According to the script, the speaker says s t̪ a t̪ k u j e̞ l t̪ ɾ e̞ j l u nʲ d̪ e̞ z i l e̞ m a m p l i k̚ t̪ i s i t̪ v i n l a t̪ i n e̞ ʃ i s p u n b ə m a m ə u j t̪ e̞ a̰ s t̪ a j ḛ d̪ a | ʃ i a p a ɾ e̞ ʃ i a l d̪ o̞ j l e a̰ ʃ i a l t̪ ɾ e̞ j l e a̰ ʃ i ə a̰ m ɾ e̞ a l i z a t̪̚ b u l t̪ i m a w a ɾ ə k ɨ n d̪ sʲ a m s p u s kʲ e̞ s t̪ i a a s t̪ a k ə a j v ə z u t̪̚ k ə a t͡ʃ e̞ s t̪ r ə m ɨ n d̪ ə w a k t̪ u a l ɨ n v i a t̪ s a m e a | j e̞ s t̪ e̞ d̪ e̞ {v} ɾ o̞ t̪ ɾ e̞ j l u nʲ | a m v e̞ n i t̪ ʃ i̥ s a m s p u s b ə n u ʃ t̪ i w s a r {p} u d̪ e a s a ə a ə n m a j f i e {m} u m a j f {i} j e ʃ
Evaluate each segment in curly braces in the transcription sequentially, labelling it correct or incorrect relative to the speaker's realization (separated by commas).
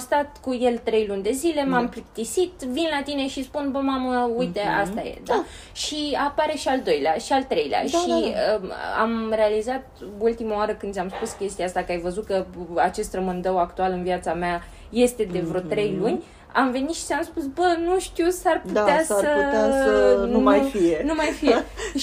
correct, correct, incorrect, correct